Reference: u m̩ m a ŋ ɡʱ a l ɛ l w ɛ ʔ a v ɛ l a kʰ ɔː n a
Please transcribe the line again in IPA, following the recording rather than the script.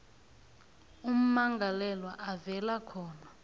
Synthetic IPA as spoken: u m̩ m a ŋ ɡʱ a l ɛ l w a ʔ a v ɛ l a kʰ ɔː n a